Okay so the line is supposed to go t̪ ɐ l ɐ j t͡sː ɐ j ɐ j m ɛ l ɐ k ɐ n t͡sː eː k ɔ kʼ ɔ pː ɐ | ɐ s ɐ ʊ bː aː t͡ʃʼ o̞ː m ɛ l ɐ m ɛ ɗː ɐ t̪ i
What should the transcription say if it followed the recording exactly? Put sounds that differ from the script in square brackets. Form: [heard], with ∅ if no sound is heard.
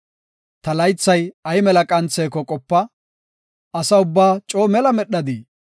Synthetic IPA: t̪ ɐ l ɐ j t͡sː ɐ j ɐ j m ɛ l ɐ [kʼ] ɐ n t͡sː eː k ɔ kʼ ɔ pː ɐ | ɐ s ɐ ʊ bː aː t͡ʃʼ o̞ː m ɛ l ɐ m ɛ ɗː ɐ [d̪] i